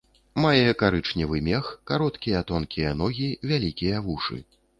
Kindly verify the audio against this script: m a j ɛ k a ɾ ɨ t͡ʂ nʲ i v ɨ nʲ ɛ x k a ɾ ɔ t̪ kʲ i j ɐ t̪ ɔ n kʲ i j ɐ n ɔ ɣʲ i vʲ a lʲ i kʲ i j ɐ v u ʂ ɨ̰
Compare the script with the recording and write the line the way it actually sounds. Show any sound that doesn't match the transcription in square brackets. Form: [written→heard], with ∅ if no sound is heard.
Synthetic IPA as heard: m a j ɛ k a ɾ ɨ t͡ʂ nʲ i v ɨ [nʲ→mʲ] ɛ x k a ɾ ɔ t̪ kʲ i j ɐ t̪ ɔ n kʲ i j ɐ n ɔ ɣʲ i vʲ a lʲ i kʲ i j ɐ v u ʂ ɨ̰